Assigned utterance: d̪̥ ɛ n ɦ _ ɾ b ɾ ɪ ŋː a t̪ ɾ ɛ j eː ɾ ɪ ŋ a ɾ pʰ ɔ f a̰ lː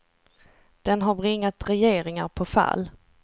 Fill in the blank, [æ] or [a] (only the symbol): a